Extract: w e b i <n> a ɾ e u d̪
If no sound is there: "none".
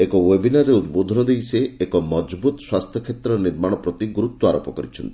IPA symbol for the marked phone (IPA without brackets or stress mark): n